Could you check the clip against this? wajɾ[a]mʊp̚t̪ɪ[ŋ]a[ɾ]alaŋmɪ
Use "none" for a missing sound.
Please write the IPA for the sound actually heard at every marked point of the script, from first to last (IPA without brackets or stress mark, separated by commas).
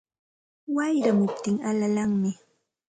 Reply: a, ŋ, l